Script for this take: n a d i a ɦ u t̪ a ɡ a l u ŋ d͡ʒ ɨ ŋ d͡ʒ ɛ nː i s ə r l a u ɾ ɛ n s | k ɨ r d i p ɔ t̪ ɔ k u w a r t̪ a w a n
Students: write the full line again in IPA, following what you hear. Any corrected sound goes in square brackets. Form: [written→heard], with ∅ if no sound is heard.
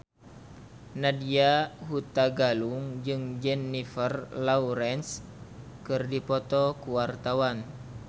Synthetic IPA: n a d i a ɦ u t̪ a ɡ a l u ŋ d͡ʒ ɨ ŋ d͡ʒ ɛ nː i [s→f] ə r l a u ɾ ɛ n s | k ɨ r d i p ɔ t̪ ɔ k u w a r t̪ a w a n